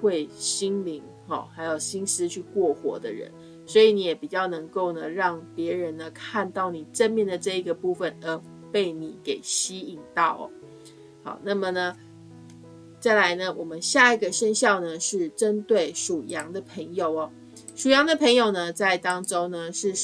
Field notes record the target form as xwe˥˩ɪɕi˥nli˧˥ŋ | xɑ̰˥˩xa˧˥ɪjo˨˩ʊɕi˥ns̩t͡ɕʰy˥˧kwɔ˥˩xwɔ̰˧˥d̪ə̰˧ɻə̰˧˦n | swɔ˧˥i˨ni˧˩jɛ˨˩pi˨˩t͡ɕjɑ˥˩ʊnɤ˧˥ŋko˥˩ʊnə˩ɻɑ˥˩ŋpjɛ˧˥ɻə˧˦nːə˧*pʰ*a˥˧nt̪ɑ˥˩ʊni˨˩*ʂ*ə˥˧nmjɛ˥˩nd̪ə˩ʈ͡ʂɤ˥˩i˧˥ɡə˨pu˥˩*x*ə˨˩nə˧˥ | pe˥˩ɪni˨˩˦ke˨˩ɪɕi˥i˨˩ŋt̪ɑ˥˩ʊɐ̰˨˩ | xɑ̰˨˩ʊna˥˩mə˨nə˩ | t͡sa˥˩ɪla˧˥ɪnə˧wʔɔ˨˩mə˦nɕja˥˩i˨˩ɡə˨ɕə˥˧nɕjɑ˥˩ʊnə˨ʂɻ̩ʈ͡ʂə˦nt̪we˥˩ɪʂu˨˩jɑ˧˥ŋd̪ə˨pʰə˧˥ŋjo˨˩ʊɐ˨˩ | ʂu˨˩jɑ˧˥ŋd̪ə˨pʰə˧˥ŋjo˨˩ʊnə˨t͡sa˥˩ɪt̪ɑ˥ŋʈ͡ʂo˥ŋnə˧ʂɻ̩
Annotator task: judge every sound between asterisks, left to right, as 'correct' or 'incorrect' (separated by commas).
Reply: incorrect, incorrect, incorrect